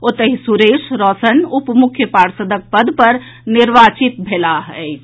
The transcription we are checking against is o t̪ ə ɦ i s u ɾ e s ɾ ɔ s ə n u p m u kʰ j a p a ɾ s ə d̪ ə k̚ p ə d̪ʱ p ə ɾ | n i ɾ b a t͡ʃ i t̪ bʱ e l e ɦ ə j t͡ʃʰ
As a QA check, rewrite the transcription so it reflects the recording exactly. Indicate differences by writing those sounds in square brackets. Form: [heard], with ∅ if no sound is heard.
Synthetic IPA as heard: o t̪ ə ɦ i s u ɾ e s ɾ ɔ s ə n u p m u kʰ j [ə] p a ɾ s ə d̪ ə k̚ p ə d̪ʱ p ə ɾ | n i ɾ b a t͡ʃ i t̪ bʱ e l [a] ɦ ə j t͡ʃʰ